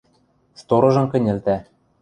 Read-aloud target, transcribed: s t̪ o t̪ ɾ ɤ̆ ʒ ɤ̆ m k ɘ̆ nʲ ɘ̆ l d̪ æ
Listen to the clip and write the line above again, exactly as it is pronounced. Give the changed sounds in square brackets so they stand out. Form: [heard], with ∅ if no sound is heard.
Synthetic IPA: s t̪ o [∅] ɾ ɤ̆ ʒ ɤ̆ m k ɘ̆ nʲ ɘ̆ l [t̪] æ